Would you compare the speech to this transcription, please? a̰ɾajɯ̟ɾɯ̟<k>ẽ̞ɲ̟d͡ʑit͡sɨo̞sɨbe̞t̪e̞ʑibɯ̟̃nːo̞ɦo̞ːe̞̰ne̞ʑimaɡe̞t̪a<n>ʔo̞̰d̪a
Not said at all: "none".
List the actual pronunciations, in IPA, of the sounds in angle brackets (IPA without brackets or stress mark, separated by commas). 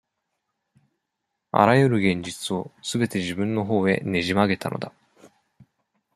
ɡ, n